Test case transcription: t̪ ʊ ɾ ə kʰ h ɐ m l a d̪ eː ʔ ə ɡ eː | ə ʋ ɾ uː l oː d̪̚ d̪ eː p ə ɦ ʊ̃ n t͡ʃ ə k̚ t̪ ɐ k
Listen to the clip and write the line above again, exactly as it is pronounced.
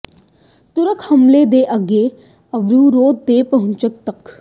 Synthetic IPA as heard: t̪ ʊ ɾ ə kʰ h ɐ m l e d̪ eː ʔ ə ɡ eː | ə ʋ ɾ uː ɾ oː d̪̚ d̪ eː p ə ɦ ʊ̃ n t͡ʃ ə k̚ t̪ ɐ k